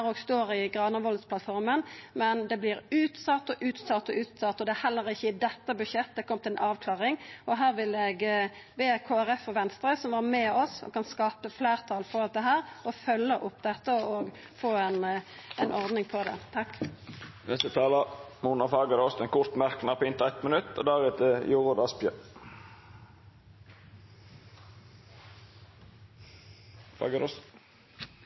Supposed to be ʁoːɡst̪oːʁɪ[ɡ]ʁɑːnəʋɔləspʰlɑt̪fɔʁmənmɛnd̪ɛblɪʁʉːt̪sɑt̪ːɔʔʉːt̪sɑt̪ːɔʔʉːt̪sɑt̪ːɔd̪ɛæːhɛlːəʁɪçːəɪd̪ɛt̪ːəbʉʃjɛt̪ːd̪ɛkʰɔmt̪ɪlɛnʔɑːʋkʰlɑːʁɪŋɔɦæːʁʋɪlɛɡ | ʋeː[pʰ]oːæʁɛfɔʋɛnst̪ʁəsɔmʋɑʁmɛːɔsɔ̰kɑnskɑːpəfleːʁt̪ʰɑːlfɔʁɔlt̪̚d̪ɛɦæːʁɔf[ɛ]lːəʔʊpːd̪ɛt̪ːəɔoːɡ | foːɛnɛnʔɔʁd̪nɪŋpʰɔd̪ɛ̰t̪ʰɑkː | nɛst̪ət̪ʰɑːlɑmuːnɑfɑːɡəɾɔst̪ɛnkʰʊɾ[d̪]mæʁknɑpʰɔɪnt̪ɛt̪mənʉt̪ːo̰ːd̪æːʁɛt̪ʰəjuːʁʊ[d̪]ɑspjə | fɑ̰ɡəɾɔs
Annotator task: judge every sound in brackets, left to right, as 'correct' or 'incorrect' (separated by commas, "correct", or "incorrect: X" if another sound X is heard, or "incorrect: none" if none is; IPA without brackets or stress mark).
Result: correct, incorrect: kʰ, incorrect: œ, incorrect: t̪, correct